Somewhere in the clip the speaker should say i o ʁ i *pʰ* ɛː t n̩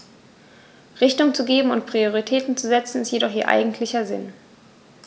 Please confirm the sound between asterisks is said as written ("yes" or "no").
no